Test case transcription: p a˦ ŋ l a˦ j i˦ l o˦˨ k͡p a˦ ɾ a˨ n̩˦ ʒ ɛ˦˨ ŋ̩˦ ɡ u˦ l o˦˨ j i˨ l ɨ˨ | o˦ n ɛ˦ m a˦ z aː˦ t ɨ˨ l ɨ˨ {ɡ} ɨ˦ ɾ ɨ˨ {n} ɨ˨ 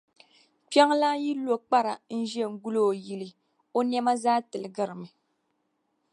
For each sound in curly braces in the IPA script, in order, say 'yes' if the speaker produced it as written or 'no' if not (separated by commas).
yes, no